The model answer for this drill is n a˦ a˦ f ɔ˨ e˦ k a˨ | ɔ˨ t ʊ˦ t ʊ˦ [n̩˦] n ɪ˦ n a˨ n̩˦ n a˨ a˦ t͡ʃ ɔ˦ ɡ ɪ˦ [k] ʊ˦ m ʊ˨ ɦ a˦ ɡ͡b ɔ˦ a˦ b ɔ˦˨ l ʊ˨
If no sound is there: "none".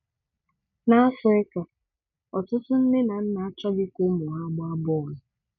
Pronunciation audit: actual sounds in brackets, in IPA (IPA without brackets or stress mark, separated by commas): n̩˦, k